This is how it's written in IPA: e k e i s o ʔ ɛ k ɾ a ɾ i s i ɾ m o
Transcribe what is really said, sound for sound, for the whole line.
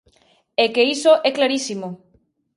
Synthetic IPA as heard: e k e i s o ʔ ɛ k l a ɾ i s i m o